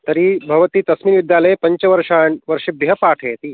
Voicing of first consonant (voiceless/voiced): voiceless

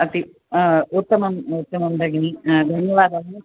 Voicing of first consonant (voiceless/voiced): voiceless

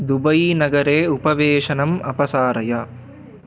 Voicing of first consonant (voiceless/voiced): voiced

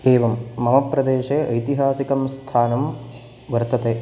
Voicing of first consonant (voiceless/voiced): voiced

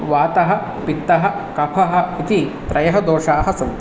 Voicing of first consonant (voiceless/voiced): voiced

